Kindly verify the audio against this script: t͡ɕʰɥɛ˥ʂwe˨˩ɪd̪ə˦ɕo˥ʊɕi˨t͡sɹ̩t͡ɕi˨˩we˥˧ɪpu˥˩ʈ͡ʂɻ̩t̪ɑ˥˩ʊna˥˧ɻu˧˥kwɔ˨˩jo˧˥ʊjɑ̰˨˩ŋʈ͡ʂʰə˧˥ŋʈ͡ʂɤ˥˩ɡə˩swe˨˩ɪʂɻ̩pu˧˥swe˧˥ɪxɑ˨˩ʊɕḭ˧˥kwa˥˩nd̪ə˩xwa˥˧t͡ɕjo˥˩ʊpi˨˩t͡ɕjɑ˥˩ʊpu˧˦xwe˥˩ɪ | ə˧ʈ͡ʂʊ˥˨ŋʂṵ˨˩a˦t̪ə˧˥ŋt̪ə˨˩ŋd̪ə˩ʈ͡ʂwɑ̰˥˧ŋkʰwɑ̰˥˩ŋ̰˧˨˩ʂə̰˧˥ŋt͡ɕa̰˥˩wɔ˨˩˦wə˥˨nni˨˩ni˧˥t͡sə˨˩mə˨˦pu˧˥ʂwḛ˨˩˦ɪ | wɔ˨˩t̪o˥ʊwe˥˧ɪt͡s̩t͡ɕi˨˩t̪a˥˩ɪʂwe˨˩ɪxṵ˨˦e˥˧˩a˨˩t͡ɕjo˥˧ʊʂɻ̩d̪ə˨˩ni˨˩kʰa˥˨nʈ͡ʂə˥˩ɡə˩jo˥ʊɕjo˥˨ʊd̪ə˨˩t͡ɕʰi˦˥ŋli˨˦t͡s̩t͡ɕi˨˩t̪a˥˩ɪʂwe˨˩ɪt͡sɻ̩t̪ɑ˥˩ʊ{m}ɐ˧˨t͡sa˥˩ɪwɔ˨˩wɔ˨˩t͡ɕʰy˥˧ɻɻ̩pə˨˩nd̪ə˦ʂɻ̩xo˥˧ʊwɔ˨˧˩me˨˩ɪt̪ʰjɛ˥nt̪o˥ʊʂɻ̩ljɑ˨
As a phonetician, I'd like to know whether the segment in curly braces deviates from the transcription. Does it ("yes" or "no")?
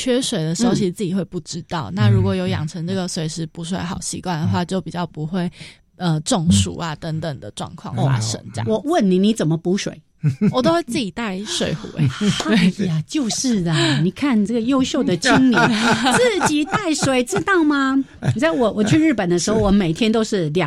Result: no